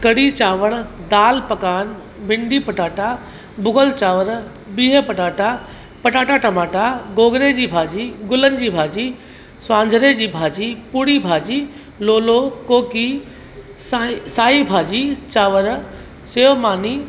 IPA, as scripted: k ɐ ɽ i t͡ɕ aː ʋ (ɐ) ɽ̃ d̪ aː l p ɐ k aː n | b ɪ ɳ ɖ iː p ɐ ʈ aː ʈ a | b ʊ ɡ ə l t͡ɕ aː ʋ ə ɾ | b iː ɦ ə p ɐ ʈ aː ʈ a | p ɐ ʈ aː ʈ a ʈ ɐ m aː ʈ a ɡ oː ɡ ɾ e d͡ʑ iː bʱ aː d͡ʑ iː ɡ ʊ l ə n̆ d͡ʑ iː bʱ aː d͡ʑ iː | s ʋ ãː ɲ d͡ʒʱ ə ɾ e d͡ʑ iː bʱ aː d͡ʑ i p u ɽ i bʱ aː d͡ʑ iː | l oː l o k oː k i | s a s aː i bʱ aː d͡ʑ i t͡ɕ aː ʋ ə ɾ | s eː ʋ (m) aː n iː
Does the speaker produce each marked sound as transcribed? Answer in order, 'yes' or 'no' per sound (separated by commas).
no, yes